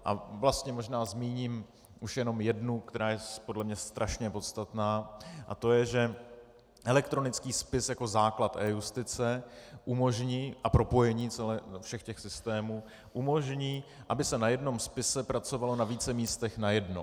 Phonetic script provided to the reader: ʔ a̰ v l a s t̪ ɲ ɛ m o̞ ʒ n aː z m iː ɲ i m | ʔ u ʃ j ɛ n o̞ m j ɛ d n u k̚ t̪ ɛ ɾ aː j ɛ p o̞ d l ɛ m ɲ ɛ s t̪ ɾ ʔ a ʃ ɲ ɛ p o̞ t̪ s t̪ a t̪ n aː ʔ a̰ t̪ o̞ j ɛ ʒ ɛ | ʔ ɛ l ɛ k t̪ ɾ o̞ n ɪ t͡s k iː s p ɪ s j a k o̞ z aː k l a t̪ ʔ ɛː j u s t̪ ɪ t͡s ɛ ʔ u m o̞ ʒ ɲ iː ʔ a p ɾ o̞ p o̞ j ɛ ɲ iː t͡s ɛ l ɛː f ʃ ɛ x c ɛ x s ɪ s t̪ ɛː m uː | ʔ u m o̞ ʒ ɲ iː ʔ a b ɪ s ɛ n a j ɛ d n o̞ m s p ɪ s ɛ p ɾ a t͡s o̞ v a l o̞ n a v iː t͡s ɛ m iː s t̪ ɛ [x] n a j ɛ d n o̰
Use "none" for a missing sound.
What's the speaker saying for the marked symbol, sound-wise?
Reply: x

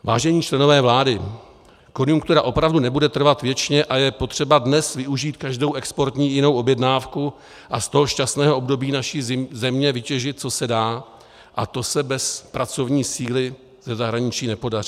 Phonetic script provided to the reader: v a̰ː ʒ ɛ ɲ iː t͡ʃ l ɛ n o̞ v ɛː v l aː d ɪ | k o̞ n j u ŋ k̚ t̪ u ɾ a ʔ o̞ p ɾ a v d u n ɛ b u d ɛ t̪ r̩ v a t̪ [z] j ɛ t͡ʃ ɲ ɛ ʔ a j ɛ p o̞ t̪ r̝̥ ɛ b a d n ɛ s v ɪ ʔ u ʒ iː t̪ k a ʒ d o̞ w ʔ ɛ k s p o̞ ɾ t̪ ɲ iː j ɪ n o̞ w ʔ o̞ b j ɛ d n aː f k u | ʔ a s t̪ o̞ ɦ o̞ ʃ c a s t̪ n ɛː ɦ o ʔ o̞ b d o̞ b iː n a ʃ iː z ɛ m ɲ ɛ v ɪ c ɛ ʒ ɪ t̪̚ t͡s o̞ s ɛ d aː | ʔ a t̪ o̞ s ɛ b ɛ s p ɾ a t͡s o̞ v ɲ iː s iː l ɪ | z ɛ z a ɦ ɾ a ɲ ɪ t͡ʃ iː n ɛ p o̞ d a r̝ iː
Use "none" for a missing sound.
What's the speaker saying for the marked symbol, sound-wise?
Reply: v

